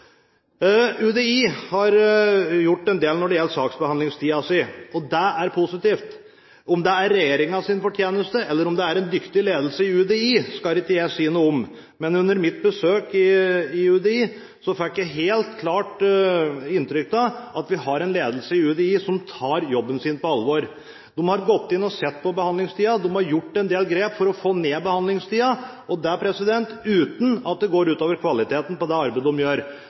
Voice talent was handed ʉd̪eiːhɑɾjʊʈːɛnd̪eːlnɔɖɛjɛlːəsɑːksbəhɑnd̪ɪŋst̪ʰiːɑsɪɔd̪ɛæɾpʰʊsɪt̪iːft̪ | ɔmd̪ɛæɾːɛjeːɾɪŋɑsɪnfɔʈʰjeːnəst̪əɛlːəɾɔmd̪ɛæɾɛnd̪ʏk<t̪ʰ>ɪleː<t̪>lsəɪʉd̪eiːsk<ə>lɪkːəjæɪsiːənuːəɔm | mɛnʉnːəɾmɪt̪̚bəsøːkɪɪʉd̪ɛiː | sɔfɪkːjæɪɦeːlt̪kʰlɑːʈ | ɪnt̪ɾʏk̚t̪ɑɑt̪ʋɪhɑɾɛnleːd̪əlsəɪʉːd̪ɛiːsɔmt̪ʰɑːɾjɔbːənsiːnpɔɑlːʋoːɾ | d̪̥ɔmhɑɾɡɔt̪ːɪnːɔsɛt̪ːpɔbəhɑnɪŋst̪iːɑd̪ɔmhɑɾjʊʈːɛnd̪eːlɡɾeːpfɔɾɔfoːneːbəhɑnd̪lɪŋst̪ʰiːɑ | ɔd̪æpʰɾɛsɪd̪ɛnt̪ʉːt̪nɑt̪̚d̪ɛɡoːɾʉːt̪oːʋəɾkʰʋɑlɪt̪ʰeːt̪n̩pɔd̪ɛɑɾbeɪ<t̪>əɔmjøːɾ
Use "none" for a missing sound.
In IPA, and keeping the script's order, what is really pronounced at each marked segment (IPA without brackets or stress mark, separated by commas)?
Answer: t̪, d̪, ɑ, d̪